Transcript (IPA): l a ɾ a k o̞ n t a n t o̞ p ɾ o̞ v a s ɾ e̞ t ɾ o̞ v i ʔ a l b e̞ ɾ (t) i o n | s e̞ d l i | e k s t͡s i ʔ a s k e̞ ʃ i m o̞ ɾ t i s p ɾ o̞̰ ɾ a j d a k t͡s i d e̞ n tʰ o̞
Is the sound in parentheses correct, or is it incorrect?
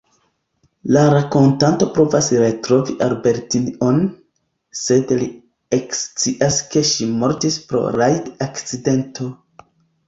correct